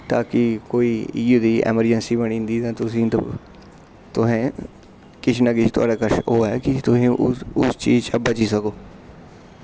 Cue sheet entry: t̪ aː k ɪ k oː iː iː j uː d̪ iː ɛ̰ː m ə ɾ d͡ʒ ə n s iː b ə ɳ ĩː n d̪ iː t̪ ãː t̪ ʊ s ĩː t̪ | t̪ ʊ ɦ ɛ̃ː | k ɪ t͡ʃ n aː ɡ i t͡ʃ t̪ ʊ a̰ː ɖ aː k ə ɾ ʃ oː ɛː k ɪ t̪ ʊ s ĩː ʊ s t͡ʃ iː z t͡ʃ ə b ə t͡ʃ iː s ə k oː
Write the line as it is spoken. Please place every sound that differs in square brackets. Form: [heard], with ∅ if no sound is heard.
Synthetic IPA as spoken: t̪ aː k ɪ k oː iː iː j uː d̪ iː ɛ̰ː m ə ɾ d͡ʒ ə n s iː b ə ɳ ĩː n d̪ iː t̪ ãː t̪ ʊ s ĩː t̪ | t̪ ʊ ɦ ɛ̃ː | k ɪ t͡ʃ n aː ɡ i t͡ʃ t̪ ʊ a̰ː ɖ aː k ə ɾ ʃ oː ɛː k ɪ t̪ ʊ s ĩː ʊ s t͡ʃ iː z t͡ʃ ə b ə t͡ʃ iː s ə k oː